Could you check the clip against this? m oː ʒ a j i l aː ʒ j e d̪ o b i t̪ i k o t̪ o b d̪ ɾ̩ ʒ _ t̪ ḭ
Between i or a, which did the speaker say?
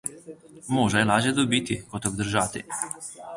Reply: a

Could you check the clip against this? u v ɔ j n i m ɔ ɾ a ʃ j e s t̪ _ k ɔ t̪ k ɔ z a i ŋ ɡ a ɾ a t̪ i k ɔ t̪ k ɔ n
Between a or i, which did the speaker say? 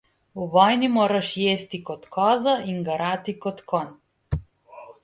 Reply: i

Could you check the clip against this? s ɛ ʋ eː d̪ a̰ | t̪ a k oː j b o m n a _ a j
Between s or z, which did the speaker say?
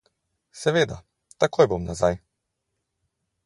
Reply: z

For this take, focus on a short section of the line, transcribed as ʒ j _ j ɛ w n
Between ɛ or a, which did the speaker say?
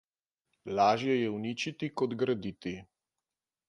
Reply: ɛ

